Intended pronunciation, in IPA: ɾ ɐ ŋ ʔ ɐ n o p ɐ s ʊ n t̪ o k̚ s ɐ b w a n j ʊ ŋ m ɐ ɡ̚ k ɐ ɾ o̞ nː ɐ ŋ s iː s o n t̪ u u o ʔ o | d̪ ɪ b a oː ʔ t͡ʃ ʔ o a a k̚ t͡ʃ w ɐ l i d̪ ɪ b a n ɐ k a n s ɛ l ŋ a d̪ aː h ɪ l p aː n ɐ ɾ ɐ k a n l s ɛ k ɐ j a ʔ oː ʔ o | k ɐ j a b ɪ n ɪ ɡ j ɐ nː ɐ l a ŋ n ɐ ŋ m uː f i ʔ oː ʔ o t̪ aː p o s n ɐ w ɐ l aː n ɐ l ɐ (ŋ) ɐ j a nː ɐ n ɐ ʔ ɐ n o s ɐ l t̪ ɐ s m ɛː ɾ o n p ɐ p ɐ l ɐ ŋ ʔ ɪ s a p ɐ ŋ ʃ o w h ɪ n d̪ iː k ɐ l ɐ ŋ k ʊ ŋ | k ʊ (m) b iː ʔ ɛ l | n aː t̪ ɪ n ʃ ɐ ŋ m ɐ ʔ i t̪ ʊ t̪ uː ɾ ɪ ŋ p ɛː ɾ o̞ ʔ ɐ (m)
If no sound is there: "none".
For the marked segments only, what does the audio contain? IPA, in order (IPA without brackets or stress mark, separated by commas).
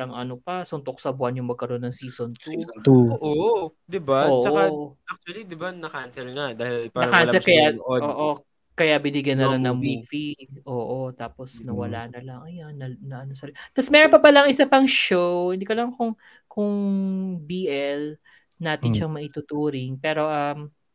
ŋ, ŋ, m